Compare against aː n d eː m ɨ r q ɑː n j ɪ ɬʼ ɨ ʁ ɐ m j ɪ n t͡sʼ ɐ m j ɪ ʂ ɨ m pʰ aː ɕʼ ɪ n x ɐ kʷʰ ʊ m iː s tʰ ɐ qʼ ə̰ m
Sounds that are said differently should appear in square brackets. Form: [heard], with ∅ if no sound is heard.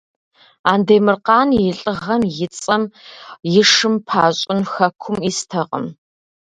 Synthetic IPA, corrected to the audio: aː n d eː m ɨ r q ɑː n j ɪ ɬʼ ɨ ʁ ɐ m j ɪ [∅] t͡sʼ ɐ m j ɪ ʂ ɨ m pʰ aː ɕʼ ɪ n x ɐ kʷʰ ʊ m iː s tʰ ɐ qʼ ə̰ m

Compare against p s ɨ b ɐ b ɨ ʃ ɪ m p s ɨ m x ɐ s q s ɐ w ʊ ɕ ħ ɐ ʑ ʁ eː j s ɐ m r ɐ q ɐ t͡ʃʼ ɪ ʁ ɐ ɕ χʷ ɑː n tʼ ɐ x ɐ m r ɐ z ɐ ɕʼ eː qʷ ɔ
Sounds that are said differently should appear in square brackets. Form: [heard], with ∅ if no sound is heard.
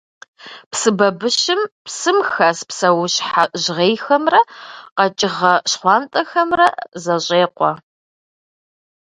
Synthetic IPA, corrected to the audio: p s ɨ b ɐ b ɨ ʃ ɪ m p s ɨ m x ɐ s [p] s ɐ w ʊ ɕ ħ [a] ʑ ʁ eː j [x] ɐ m r ɐ q ɐ t͡ʃʼ ɪ ʁ ɐ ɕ χʷ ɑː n tʼ ɐ x ɐ m r ɐ z ɐ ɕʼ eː qʷ ɔ

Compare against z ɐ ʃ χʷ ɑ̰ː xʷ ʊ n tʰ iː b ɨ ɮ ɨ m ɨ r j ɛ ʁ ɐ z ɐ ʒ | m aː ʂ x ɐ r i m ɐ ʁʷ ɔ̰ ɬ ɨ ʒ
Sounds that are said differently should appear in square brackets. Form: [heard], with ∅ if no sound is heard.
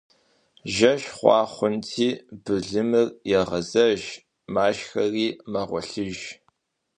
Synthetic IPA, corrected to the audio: [ʒ] ɐ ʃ χʷ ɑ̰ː [χʷ] ʊ n tʰ iː b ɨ ɮ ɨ m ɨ r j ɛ ʁ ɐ z ɐ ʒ | m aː [ʃ] x ɐ r [iː] m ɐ ʁʷ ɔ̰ ɬ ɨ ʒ

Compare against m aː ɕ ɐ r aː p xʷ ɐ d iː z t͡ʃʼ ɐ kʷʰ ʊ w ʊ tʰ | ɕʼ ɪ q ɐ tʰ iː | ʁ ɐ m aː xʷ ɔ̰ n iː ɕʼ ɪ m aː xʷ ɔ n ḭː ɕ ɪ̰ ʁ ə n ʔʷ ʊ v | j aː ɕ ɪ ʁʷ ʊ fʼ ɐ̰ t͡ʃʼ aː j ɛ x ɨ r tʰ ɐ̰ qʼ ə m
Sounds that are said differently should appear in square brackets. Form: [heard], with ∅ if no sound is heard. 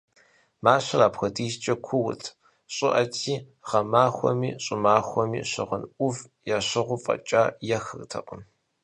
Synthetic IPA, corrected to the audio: m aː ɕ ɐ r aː p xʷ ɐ d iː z t͡ʃʼ ɐ kʷʰ ʊ w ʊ tʰ | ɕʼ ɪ [ʔ] ɐ tʰ iː | ʁ ɐ m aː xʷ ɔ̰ [m] iː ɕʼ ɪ m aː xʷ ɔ [m] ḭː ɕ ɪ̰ ʁ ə n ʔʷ ʊ v | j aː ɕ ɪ ʁʷ ʊ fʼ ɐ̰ t͡ʃʼ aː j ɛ x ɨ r tʰ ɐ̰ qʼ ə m

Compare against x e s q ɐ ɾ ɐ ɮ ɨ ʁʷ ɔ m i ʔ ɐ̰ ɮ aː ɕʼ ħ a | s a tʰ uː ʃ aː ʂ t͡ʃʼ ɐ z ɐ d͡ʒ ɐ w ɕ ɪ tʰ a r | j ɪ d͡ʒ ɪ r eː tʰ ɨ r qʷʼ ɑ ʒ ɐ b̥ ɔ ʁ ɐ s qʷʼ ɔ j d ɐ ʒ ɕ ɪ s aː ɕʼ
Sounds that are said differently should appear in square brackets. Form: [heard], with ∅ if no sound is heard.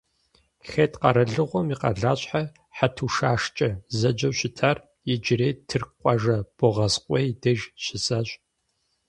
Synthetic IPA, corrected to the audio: x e [t] q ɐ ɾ ɐ ɮ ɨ ʁʷ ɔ m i [q] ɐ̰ ɮ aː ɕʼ ħ a | [ħ] a tʰ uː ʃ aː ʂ t͡ʃʼ ɐ z ɐ d͡ʒ ɐ w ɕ ɪ tʰ a r | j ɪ d͡ʒ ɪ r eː tʰ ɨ r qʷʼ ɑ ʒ ɐ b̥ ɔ ʁ ɐ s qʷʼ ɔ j d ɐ ʒ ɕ ɪ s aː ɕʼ

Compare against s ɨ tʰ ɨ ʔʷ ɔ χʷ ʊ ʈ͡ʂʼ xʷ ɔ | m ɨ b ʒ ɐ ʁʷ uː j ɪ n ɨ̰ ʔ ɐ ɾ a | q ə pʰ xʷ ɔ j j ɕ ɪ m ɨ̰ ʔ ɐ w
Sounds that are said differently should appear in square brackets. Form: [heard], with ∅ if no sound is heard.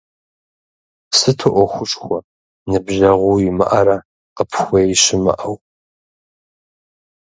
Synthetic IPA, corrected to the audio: s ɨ tʰ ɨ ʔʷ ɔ [xʷ] ʊ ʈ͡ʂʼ xʷ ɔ | [n] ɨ b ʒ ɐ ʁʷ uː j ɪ [m] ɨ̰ ʔ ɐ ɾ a | q ə pʰ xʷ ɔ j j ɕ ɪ m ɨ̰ ʔ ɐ w

